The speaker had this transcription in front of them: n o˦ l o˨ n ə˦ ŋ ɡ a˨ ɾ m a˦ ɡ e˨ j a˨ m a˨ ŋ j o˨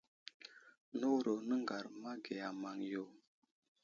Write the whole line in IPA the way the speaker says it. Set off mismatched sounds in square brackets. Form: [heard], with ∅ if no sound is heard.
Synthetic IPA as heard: n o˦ [ɾ] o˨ n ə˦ ŋ ɡ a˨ ɾ m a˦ ɡ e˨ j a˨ m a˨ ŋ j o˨